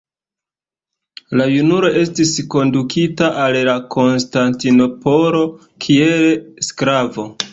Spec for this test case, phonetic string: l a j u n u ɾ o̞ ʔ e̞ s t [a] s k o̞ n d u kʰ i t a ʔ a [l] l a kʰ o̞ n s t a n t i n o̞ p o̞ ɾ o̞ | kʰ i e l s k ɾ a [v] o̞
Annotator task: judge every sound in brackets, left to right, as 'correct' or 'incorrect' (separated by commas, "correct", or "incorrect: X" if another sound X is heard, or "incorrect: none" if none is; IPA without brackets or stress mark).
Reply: incorrect: i, correct, correct